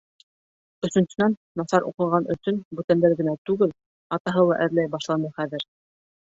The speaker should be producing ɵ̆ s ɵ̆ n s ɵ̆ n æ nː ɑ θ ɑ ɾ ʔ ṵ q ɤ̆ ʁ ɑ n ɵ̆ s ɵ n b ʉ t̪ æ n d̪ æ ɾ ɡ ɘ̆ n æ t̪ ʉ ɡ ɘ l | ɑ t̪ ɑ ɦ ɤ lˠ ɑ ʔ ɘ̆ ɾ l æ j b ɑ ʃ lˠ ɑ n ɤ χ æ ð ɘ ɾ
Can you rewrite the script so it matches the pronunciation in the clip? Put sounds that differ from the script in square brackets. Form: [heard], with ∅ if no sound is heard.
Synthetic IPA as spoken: ɵ̆ s ɵ̆ n s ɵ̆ n æ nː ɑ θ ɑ ɾ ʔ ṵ q ɤ̆ ʁ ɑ n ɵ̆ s ɵ n b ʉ t̪ æ n d̪ æ ɾ ɡ ɘ̆ n æ t̪ ʉ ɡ ɘ l | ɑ t̪ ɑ ɦ ɤ lˠ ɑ ʔ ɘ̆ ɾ l æ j b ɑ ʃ lˠ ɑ n ɤ χ æ ð ɘ ɾ